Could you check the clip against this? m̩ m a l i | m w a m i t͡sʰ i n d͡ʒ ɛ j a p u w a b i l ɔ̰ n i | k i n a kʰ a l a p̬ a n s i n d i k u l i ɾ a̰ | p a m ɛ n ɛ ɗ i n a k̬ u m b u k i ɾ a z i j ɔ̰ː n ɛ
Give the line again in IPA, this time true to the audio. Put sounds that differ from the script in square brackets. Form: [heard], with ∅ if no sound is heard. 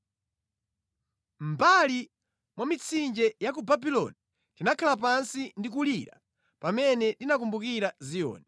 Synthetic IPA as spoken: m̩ [b] a l i | m w a m i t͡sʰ i n d͡ʒ ɛ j a [k] u [b] a b i l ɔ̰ n i | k i n a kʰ a l a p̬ a n s i n d i k u l i ɾ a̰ | p a m ɛ n ɛ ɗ i n a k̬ u m b u k i ɾ a z i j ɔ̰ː n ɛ